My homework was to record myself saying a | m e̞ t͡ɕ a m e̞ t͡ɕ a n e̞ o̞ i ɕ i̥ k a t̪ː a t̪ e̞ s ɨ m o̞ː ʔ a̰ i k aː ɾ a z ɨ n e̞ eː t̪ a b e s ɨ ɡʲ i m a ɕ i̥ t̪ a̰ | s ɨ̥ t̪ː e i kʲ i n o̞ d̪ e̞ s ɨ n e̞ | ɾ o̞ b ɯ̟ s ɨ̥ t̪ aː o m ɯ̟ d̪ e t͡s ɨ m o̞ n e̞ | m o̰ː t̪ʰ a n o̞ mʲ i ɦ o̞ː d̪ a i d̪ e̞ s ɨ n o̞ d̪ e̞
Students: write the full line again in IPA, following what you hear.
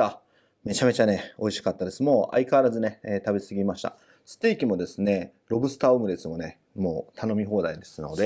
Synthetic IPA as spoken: a | m e̞ t͡ɕ a m e̞ t͡ɕ a n e̞ o̞ i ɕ i̥ k a t̪ː a d̪ e̞ s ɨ m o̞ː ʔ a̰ i k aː ɾ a z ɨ n e̞ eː t̪ a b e s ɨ ɡʲ i m a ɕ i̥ t̪ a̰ | s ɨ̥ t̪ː e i kʲ i m o̞ d̪ e̞ s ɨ n e̞ | ɾ o̞ b ɯ̟ s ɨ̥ t̪ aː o m ɯ̟ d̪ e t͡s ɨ m o̞ n e̞ | m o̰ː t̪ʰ a n o̞ mʲ i ɦ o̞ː d̪ a i d̪ e̞ s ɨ n o̞ d̪ e̞